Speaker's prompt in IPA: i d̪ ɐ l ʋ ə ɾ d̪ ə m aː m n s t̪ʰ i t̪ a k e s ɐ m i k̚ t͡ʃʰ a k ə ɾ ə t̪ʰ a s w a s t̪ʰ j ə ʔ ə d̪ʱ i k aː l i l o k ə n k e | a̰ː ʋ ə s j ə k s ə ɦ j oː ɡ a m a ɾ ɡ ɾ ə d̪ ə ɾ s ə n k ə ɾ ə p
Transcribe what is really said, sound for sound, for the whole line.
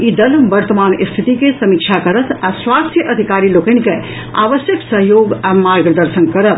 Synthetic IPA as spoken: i d̪ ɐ l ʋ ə ɾ t̪ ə m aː n s t̪ʰ i t̪ i k e s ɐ m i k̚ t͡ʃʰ a k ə ɾ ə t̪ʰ a s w a s t̪ʰ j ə ʔ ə d̪ʱ i k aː ɾ i l o k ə n k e | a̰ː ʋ ə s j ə k s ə ɦ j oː ɡ a m a ɾ ɡ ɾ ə d̪ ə ɾ s ə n k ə ɾ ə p